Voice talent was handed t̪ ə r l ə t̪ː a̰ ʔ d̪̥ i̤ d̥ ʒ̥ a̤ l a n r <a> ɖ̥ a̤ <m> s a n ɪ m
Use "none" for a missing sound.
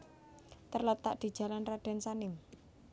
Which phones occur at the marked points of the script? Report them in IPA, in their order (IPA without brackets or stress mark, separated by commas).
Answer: a, n